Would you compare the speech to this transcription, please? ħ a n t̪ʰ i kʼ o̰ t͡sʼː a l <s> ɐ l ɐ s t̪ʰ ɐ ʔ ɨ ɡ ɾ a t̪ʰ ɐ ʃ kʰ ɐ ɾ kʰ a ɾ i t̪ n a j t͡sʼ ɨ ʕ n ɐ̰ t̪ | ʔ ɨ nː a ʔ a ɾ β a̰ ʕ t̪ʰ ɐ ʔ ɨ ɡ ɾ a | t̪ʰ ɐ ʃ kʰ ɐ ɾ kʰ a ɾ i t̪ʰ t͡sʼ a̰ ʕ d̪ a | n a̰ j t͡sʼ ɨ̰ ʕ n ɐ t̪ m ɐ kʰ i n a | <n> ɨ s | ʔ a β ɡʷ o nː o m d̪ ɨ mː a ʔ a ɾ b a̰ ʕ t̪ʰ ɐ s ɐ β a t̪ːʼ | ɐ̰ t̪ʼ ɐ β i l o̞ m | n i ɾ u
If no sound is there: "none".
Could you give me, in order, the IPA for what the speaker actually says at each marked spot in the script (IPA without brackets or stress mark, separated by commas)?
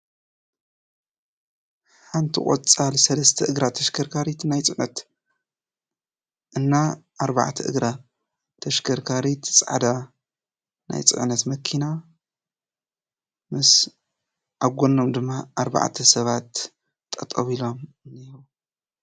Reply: s, m